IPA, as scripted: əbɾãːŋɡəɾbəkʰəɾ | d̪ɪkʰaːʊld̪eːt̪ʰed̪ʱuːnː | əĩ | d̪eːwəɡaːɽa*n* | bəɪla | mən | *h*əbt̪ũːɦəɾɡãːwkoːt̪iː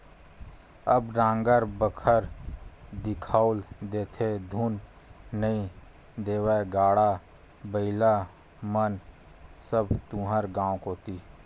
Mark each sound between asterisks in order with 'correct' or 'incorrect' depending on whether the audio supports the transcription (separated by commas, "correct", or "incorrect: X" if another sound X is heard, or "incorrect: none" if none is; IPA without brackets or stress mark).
incorrect: none, incorrect: s